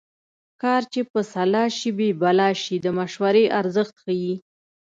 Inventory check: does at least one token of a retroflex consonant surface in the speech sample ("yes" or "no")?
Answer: no